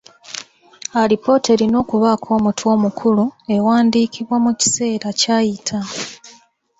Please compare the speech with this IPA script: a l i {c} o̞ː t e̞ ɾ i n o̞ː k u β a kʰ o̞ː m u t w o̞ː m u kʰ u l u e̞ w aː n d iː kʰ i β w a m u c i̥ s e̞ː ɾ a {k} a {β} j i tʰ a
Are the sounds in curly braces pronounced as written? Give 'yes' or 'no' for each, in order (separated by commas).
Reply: no, no, no